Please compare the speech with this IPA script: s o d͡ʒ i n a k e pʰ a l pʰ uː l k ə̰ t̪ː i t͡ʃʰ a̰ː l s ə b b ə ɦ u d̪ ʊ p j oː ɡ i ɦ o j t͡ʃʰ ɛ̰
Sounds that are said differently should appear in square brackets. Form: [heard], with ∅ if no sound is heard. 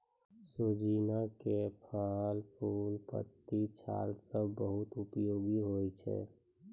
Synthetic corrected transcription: s o d͡ʒ i n a k e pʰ a l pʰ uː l [p] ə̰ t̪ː i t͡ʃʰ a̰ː l s ə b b ə ɦ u [t̪] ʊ p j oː ɡ i ɦ o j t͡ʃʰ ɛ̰